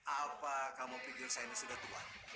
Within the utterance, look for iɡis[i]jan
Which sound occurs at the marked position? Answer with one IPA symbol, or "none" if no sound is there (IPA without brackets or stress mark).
a